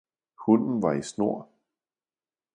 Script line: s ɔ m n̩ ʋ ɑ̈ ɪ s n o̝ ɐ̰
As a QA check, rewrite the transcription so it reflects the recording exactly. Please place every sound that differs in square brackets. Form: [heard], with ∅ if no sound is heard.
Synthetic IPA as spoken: [h] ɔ [n] n̩ ʋ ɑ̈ [i] s n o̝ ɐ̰